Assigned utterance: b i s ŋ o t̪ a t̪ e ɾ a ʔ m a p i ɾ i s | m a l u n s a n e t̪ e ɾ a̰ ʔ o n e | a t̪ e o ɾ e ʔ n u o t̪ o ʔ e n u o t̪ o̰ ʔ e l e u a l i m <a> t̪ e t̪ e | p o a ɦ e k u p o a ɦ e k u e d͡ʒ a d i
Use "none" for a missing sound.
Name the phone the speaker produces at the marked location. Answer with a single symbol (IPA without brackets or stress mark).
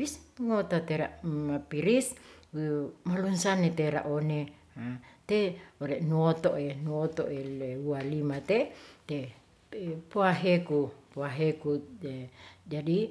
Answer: a